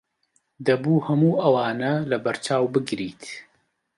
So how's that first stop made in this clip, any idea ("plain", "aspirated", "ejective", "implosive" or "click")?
plain